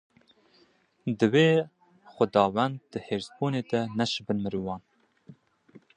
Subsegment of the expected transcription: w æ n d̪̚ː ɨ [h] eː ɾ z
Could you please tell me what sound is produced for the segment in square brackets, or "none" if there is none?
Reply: h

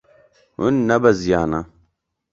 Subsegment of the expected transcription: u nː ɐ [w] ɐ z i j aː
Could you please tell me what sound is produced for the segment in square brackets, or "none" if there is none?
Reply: b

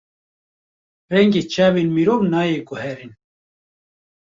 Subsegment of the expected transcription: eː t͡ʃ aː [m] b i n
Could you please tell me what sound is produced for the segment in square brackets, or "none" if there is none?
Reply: none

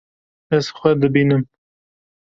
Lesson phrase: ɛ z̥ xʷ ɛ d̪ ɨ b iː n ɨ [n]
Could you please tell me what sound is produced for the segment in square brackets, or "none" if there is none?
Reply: m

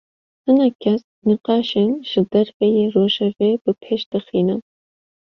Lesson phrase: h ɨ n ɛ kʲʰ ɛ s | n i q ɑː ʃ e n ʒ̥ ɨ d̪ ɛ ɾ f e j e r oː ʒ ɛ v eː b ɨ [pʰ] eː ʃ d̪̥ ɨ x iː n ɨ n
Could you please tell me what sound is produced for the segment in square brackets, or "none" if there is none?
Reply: pʰ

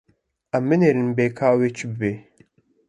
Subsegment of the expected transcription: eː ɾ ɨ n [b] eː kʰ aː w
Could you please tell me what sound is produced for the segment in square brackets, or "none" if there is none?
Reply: b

